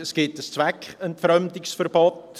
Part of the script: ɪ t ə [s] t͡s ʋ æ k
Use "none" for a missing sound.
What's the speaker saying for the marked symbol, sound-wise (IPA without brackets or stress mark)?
s